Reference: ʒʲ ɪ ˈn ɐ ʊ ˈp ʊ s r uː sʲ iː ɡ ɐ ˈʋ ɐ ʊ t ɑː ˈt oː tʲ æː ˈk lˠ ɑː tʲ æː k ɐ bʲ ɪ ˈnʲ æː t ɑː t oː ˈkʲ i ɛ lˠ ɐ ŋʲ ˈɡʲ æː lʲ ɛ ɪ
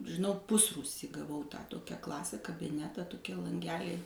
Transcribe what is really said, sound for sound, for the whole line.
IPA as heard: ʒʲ ɪ ˈn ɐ ʊ ˈp ʊ s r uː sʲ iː ɡ ɐ ˈʋ ɐ ʊ t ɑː ˈt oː kʲ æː ˈk lˠ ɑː sʲ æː k ɐ bʲ ɪ ˈnʲ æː t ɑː t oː ˈkʲ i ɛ lˠ ɐ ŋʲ ˈɡʲ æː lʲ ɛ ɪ

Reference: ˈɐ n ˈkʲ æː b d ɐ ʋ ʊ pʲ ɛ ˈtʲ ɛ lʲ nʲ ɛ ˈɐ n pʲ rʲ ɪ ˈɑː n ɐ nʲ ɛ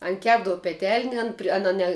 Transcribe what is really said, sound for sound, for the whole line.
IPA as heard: ˈɐ n ˈkʲ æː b d ɐ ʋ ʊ pʲ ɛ ˈtʲ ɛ lʲ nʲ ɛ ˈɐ n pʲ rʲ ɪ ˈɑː n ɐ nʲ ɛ

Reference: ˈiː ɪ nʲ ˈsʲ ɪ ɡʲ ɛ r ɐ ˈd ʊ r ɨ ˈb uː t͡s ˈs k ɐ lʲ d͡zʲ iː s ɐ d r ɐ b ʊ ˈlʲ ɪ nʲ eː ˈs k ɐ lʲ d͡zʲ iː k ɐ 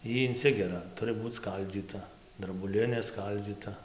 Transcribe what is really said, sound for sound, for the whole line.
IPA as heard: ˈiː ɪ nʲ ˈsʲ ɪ ɡʲ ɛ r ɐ ˈt ʊ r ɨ ˈb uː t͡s ˈs k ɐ lʲ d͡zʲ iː t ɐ d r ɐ b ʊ ˈlʲ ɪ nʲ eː ˈs k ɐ lʲ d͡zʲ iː t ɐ

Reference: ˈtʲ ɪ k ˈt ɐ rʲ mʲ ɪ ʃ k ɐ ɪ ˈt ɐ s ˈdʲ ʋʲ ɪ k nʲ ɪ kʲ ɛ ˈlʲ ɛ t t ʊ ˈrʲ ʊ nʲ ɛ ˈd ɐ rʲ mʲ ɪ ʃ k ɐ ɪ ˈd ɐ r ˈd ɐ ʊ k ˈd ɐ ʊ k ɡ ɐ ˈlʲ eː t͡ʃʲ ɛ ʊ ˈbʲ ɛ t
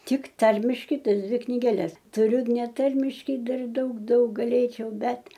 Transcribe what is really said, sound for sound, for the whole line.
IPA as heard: ˈtʲ ɪ k ˈt ɐ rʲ mʲ ɪ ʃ k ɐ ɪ ˈt ɐ s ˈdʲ ʋʲ ɪ k nʲ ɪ ɡʲ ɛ ˈlʲ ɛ s t ʊ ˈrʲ ʊ nʲ ɛ ˈt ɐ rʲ mʲ ɪ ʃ k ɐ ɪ ˈd ɐ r ˈd ɐ ʊ k ˈd ɐ ʊ k ɡ ɐ ˈlʲ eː t͡ʃʲ ɛ ʊ ˈbʲ ɛ t

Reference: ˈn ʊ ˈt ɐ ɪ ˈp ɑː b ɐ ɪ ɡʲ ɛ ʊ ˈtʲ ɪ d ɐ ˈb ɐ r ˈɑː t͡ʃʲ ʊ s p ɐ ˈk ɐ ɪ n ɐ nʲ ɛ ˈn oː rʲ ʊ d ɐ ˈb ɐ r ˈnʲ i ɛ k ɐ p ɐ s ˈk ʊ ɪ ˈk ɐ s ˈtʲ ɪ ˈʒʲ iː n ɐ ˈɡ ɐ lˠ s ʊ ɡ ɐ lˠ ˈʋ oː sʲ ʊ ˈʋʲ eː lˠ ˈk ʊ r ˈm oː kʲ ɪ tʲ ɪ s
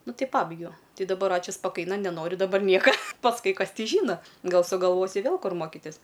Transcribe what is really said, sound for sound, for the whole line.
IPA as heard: ˈn ʊ ˈt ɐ ɪ ˈp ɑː b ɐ ɪ ɡʲ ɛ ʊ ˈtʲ ɪ d ɐ ˈb ɐ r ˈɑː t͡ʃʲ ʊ s p ɐ ˈk ɐ ɪ n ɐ nʲ ɛ ˈn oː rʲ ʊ d ɐ ˈb ɐ r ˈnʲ i ɛ k ɐ p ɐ s ˈk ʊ ɪ ˈk ɐ s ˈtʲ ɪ ˈʒʲ iː n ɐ ˈɡ ɐ lˠ s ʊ ɡ ɐ lˠ ˈʋ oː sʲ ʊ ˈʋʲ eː lˠ ˈk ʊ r ˈm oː kʲ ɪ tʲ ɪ s

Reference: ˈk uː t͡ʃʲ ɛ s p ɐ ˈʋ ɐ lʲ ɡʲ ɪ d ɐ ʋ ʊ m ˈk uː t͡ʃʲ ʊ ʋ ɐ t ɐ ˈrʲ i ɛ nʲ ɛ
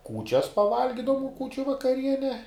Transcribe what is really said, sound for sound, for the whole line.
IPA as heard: ˈk uː t͡ʃʲ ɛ s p ɐ ˈʋ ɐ lʲ ɡʲ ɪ d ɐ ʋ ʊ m ˈk uː t͡ʃʲ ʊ ʋ ɐ k ɐ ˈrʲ i ɛ nʲ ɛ

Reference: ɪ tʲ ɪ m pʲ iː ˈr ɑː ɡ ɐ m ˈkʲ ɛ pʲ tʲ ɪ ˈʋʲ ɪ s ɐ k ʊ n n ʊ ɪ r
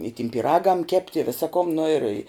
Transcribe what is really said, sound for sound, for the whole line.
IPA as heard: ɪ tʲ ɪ m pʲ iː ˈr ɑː ɡ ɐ m ˈkʲ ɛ pʲ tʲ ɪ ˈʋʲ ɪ s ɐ k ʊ m n ʊ ɪ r

